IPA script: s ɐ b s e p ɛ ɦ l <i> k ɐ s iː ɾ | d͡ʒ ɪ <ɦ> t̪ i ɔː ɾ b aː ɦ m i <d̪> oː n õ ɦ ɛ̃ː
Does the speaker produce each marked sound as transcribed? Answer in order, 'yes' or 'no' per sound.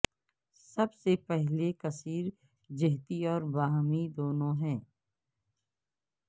no, yes, yes

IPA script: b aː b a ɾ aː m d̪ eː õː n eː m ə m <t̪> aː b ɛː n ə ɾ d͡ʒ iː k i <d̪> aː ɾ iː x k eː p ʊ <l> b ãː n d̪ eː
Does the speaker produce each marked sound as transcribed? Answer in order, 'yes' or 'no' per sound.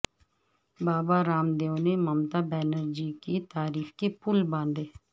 yes, no, yes

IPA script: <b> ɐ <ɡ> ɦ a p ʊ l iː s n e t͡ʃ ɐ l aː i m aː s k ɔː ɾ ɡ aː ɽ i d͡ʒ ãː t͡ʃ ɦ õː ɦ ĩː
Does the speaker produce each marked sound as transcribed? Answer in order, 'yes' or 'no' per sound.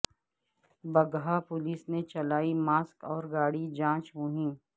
yes, yes

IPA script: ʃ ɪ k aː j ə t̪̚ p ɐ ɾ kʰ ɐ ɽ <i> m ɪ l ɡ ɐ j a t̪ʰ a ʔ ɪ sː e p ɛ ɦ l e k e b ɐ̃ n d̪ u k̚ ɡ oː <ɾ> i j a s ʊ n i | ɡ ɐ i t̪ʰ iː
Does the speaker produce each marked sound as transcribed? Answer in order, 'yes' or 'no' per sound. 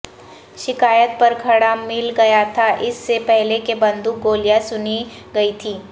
no, no

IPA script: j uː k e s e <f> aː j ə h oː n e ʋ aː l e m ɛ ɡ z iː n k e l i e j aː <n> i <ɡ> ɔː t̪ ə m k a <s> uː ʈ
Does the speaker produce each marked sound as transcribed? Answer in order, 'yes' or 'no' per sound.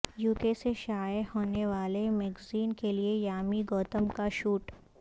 no, no, yes, no

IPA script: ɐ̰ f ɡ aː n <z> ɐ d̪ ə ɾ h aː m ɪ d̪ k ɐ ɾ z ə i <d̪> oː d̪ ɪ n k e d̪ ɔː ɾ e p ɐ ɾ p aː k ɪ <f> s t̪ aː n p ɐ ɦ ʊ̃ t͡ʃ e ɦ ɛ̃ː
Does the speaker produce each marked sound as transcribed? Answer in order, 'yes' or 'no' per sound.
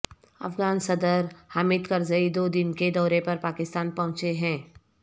no, yes, no

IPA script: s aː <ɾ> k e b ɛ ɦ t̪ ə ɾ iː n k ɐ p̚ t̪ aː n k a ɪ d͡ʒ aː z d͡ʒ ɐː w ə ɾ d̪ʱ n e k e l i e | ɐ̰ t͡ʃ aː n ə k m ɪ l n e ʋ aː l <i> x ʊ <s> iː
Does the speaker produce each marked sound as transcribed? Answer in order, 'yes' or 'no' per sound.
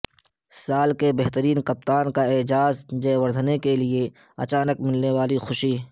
no, yes, no

